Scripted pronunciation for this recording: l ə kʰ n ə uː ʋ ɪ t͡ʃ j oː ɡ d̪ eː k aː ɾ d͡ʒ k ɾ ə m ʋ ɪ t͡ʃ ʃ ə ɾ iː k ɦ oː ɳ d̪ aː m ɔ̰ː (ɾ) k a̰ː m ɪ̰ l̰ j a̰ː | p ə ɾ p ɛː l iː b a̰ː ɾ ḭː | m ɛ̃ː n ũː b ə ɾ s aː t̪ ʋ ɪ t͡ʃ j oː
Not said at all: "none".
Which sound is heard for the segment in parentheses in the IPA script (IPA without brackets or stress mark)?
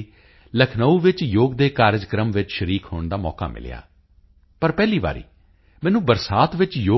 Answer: none